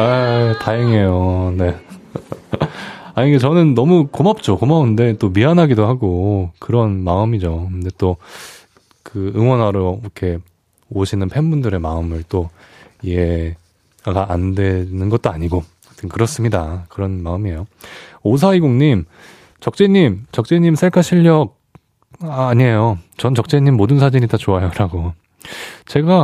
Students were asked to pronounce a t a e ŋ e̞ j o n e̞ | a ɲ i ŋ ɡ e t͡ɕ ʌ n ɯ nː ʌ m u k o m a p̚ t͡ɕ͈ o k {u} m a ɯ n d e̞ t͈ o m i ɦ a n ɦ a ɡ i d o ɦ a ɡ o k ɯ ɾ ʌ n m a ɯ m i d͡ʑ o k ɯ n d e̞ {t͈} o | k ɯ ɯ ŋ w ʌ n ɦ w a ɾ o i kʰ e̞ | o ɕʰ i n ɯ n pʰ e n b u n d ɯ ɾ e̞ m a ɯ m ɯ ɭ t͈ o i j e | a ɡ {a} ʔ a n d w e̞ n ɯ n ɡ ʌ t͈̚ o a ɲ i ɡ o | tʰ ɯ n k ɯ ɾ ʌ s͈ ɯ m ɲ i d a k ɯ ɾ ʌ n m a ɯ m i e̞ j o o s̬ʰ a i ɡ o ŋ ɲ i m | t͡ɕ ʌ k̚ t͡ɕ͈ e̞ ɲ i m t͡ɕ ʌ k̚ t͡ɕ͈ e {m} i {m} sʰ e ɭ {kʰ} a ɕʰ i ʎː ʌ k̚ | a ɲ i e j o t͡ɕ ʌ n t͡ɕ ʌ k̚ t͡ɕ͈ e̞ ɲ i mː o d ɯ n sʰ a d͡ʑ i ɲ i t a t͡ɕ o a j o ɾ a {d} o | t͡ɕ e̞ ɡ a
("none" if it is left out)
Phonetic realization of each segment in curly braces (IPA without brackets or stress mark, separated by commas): o, t͈, a, ɲ, m, kʰ, ɡ